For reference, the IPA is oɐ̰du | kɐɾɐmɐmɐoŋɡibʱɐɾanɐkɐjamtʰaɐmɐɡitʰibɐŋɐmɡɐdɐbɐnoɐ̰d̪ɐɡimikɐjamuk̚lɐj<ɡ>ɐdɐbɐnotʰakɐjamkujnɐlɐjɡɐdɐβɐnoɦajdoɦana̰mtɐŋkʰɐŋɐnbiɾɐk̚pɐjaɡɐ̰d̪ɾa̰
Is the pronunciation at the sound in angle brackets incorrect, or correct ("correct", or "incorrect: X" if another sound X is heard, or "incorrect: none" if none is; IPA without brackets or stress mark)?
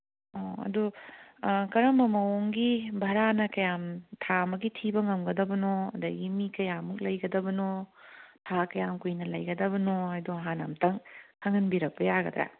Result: correct